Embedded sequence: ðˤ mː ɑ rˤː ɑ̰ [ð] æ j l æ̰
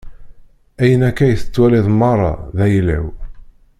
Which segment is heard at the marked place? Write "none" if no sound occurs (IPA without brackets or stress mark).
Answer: ð